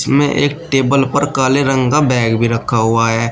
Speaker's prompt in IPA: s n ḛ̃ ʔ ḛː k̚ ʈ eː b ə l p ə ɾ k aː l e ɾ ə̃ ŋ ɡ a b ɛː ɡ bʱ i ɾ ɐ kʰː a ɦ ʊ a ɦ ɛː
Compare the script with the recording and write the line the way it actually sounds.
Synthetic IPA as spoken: s m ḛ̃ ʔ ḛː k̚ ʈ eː b ə l p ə ɾ k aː l e ɾ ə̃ ŋ ɡ a b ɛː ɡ bʱ i ɾ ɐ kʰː a ɦ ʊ a ɦ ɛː